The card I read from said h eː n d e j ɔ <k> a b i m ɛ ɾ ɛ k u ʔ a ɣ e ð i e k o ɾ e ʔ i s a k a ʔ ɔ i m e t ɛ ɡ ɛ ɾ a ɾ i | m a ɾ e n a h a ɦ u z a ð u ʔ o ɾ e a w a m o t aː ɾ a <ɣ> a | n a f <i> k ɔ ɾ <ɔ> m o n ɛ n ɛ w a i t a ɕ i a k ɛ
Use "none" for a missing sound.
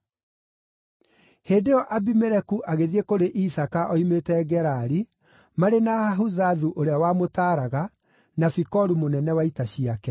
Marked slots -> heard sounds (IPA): ʔ, ɣ, i, u

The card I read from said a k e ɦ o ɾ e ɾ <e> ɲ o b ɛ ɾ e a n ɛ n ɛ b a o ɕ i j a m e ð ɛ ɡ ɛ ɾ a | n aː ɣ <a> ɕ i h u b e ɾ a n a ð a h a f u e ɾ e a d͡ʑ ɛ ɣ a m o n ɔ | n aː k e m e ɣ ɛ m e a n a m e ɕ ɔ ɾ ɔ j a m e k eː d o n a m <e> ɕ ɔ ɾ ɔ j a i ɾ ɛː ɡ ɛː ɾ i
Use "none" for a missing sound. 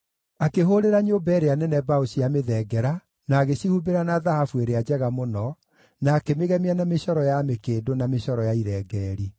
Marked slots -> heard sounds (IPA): a, e, e

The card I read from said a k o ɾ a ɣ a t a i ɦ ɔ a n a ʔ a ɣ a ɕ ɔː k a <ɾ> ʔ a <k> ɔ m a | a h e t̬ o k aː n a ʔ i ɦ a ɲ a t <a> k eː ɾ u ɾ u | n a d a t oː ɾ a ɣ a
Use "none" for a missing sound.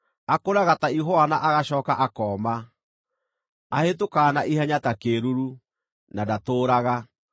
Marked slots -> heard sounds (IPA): none, k, a

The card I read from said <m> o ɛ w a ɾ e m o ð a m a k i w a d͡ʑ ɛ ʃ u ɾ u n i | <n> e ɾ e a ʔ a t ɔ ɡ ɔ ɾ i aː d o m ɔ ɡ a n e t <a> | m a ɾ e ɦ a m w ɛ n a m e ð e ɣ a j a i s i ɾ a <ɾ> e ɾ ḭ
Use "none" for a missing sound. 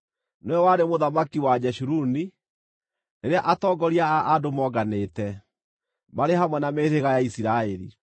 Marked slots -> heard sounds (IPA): n, n, ɛ, none

